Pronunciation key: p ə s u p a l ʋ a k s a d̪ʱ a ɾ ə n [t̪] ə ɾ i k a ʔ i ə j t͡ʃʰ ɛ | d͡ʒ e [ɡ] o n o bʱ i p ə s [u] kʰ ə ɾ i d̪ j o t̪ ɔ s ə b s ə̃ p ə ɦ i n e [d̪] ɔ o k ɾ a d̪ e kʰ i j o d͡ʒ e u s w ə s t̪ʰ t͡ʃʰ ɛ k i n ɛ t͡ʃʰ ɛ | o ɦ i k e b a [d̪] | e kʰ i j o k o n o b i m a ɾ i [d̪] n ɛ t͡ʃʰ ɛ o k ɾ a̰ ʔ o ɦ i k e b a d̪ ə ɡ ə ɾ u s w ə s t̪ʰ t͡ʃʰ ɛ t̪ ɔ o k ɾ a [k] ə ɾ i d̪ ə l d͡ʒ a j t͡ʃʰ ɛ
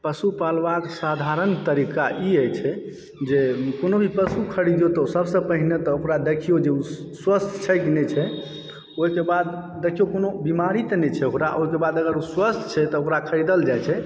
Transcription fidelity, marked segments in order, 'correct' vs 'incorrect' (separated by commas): correct, incorrect, correct, incorrect, incorrect, incorrect, incorrect